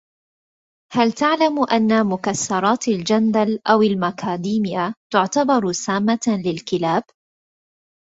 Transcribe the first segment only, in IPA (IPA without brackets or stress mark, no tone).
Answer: h